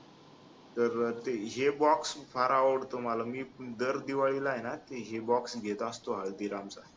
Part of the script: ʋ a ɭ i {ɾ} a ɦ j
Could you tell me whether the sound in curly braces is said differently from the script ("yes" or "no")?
yes